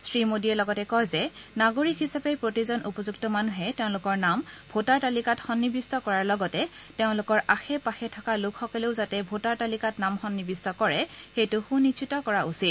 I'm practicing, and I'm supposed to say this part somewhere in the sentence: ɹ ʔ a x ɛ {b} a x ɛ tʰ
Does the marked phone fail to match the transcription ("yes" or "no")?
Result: yes